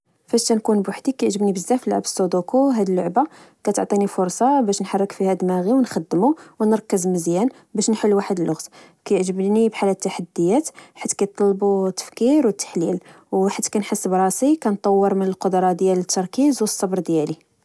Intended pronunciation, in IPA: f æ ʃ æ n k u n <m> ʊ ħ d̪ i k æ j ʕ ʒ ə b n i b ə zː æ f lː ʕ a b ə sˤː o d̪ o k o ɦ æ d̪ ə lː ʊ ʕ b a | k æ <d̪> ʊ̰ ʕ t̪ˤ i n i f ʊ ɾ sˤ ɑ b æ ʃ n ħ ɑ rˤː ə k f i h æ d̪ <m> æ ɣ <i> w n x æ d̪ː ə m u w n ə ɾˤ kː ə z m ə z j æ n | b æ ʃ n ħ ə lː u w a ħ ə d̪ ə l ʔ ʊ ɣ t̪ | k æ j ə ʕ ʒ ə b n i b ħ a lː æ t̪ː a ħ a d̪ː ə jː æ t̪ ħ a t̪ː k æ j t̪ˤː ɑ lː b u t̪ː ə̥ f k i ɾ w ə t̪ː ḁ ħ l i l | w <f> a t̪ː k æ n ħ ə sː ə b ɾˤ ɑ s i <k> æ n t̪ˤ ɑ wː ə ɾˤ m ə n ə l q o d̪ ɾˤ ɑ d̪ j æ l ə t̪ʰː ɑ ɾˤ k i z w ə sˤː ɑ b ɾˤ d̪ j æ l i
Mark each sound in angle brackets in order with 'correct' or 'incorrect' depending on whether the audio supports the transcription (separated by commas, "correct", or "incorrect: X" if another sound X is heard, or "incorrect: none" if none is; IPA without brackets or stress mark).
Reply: incorrect: b, incorrect: t̪, correct, correct, incorrect: ħ, correct